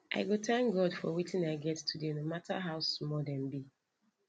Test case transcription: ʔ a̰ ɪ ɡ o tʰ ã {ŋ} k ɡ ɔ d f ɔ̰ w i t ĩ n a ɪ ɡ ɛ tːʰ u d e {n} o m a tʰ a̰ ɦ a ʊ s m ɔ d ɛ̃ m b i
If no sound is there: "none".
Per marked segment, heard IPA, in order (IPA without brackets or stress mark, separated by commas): ŋ, n